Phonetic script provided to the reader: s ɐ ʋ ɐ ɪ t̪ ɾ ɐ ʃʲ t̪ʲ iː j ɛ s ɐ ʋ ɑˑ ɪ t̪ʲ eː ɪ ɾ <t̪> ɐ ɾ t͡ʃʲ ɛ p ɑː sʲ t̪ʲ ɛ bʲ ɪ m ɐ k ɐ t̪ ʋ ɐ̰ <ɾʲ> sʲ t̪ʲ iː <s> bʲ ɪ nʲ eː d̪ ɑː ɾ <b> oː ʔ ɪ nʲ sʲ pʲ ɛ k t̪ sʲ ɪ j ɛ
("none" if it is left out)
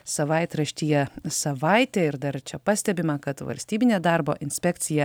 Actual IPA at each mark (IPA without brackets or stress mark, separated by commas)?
d̪, lʲ, none, b